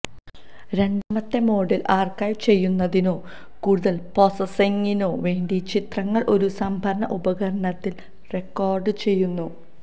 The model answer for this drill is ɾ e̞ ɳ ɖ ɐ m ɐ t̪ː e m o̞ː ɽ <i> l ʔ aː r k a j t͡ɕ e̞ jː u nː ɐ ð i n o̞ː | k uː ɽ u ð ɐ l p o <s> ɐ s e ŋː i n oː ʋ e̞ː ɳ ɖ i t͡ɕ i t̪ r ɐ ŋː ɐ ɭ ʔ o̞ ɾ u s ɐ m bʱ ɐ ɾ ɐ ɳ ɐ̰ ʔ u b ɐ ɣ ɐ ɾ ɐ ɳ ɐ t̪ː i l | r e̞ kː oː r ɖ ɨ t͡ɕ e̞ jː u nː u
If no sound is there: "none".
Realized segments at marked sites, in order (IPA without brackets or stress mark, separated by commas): i, s